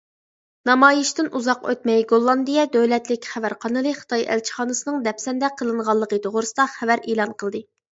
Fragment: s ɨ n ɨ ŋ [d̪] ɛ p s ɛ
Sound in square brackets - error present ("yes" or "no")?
no